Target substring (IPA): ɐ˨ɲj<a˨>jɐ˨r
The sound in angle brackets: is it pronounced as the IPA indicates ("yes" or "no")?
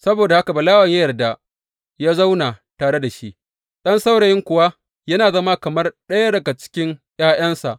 no